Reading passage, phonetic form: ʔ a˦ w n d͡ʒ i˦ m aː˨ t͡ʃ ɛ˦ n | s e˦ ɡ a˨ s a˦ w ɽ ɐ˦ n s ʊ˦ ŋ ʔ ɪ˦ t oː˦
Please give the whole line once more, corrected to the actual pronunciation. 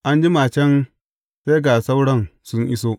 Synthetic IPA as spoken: ʔ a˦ n d͡ʒ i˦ m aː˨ t͡ʃ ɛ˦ n | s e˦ ɡ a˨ s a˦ w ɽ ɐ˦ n s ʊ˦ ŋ ʔ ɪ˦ s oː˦

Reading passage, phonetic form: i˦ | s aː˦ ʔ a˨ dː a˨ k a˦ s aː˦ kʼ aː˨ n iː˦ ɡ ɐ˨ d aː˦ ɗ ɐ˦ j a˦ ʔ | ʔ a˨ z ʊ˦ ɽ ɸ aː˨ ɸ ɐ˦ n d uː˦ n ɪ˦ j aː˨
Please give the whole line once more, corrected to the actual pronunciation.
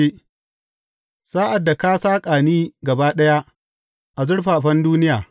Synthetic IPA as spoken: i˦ | s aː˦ ʔ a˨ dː a˨ k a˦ s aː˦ kʼ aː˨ n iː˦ ɡ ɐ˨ b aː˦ ɗ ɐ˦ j a˦ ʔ | ʔ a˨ z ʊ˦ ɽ ɸ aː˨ ɸ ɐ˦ n d uː˦ n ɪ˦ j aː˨

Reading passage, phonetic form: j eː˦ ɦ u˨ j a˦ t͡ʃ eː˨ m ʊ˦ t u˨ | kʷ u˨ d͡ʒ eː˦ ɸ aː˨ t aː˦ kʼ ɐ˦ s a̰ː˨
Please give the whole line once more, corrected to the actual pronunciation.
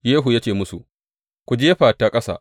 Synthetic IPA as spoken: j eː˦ ɦ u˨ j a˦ t͡ʃ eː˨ m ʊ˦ s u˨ | kʷ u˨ d͡ʒ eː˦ ɸ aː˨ t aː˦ kʼ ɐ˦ s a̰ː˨

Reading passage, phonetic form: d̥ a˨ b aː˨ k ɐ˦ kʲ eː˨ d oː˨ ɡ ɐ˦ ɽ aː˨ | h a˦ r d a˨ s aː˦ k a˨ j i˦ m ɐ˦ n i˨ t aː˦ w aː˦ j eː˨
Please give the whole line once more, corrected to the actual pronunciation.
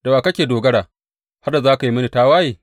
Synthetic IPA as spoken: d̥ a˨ w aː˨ k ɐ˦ kʲ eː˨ d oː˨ ɡ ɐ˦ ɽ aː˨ | h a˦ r d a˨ z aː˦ k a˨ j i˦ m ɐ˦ n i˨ t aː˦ w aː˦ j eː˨

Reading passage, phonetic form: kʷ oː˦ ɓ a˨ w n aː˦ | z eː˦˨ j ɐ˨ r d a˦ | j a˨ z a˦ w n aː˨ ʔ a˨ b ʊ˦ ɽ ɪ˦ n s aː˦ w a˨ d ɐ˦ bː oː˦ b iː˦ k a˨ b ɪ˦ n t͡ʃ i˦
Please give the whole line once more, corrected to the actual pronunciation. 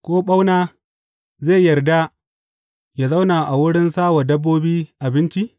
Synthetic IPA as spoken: kʷ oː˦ ɓ a˦ w n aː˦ | z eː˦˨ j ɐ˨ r d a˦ | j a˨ z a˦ w n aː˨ ʔ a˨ w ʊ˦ ɽ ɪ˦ n s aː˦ w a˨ d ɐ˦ bː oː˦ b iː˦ ʔ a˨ b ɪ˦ n t͡ʃ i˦

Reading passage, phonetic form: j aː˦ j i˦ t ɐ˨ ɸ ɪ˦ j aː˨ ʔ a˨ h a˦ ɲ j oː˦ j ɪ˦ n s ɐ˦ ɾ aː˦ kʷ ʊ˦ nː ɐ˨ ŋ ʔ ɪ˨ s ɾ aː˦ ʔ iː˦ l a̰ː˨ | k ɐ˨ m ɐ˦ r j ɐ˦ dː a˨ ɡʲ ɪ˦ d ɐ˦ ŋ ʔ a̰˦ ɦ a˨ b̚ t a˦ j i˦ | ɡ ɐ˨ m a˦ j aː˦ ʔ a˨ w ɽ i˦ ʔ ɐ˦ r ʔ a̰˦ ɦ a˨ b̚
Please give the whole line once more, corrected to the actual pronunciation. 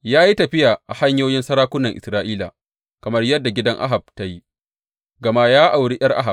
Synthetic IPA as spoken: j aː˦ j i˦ t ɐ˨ ɸ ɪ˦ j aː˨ ʔ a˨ h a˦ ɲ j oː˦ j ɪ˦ n s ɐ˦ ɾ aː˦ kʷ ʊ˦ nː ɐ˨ ŋ ʔ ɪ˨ s ɾ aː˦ ʔ iː˦ l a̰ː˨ | k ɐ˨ m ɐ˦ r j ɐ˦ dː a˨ ɡʲ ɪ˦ d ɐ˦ ŋ ʔ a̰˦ ɦ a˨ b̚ t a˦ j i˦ | ɡ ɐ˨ m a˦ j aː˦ ʔ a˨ w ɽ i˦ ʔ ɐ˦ r ʔ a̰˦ ɦ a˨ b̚

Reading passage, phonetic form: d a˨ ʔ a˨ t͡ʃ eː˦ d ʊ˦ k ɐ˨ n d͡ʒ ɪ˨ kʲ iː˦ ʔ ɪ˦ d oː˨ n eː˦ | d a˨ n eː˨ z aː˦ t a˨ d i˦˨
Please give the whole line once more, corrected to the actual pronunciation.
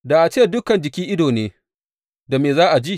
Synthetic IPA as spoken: d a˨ ʔ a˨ t͡ʃ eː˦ d ʊ˦ k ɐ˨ n d͡ʒ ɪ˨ kʲ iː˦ ʔ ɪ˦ d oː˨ n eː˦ | d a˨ m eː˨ z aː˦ ʔ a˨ d͡ʒ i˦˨

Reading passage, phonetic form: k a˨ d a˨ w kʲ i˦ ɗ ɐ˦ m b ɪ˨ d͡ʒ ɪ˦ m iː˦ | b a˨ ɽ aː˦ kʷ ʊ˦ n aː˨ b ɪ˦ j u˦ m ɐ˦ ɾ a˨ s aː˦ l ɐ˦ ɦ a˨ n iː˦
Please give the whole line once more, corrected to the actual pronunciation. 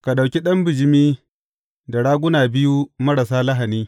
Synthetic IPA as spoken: k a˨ ɗ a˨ w kʲ i˦ ɗ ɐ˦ m b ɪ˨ d͡ʒ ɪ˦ m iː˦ | d a˨ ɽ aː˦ ɡʷ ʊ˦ n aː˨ b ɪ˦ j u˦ m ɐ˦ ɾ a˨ s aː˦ l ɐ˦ ɦ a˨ n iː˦

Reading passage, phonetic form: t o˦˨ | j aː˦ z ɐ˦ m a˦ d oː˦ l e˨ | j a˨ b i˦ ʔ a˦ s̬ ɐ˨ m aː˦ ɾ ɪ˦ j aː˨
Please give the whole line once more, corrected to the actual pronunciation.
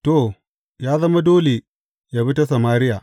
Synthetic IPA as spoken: t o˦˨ | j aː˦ z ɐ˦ m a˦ d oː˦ l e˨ | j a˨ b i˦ t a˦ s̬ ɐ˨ m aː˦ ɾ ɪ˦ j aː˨

